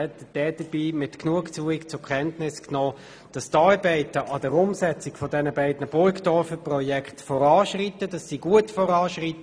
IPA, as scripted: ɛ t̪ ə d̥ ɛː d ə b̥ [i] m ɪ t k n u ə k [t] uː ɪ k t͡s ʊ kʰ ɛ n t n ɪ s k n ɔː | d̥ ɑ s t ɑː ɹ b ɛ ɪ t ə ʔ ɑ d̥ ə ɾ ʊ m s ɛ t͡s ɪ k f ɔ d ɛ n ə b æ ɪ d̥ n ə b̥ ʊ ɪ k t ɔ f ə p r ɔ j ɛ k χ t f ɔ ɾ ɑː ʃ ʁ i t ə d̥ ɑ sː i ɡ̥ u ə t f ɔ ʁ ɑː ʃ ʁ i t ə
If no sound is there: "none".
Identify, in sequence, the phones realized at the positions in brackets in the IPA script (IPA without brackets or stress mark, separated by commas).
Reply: iː, t͡s